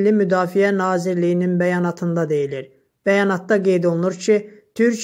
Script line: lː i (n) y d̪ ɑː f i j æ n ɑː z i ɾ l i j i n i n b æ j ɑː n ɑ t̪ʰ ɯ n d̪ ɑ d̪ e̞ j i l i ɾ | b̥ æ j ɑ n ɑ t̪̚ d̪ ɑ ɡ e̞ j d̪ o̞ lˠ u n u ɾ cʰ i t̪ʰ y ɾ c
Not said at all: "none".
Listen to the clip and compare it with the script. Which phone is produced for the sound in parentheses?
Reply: m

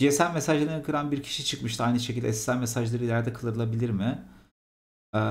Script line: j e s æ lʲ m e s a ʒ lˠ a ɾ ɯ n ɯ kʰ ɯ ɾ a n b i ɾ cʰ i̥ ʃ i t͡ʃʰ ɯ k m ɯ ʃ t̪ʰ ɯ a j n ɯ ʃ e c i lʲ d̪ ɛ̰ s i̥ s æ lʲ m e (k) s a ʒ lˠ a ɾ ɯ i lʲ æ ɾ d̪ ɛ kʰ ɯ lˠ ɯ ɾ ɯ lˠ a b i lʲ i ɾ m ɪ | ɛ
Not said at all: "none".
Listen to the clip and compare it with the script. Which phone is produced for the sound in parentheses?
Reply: none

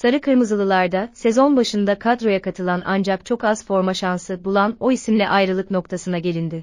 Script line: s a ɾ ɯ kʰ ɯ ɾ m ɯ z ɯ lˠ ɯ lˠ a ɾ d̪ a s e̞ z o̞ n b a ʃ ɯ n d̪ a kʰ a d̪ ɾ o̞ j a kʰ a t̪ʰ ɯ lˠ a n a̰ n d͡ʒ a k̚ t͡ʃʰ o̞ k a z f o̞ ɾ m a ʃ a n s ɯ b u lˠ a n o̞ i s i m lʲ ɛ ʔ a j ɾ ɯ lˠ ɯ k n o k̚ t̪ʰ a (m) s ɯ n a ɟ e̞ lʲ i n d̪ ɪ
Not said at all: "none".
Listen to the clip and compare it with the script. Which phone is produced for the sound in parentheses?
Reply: none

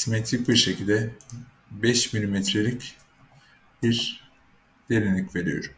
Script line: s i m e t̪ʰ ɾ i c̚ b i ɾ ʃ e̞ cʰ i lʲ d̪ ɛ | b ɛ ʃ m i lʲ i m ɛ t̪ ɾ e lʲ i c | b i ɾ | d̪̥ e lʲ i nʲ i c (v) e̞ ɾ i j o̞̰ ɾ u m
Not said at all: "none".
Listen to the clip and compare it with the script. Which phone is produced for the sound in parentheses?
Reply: v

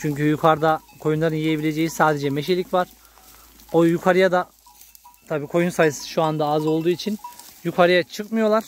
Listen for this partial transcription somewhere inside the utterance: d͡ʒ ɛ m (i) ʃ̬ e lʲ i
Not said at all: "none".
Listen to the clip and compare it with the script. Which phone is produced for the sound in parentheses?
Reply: e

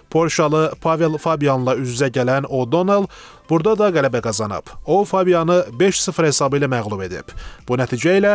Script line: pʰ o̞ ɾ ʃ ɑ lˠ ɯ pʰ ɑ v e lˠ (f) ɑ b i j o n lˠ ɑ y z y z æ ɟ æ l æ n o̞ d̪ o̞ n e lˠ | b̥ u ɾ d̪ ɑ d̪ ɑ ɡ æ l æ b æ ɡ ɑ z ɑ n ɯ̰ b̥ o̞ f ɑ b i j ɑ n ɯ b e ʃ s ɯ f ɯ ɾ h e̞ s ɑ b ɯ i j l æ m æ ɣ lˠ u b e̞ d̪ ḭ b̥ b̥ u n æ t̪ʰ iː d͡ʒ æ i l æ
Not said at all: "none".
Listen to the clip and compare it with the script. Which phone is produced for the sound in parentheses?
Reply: f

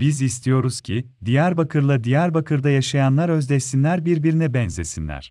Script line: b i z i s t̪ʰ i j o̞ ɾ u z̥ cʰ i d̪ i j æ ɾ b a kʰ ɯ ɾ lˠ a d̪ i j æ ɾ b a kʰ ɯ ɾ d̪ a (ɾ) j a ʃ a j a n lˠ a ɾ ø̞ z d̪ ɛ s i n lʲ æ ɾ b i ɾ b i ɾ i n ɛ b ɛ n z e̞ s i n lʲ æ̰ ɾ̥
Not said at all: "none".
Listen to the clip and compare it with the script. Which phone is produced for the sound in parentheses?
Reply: none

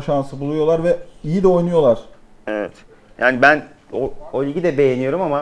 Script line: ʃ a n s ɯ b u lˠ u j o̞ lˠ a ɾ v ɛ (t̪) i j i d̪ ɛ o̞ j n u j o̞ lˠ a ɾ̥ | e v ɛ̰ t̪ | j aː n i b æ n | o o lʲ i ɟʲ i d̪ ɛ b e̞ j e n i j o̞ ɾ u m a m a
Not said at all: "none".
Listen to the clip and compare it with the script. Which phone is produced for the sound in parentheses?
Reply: none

